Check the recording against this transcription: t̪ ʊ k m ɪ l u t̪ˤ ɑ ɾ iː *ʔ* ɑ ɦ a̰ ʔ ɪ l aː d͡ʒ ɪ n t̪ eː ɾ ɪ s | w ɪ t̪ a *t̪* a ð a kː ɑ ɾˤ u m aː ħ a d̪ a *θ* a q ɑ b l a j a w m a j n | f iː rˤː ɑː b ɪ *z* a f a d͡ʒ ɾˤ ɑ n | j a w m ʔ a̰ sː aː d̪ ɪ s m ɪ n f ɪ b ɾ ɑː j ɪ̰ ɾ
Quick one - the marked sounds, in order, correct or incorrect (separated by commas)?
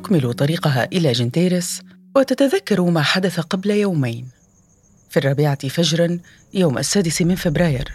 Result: incorrect, correct, correct, incorrect